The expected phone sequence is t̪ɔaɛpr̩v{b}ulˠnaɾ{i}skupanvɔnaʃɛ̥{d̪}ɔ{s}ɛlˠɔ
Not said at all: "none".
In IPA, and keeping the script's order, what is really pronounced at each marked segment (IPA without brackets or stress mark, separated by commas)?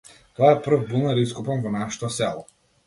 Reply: b, i, t̪, s